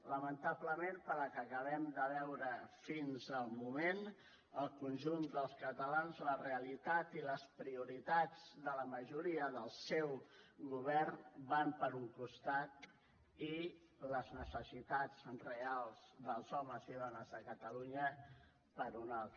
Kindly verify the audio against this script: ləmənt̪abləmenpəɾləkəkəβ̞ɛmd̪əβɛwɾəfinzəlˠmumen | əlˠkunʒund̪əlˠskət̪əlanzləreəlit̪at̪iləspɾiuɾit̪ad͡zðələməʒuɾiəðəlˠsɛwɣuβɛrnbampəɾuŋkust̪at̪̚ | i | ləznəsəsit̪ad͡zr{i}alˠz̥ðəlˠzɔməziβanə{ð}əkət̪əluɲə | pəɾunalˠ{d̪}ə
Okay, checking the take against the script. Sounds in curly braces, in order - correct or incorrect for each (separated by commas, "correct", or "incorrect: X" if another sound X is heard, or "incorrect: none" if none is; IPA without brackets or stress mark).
incorrect: e, incorrect: z, incorrect: t̪